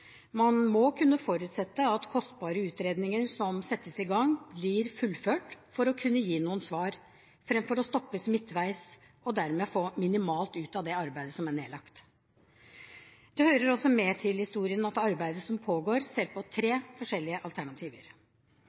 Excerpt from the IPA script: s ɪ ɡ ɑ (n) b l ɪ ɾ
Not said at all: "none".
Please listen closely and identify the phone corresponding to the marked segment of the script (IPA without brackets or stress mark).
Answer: ŋ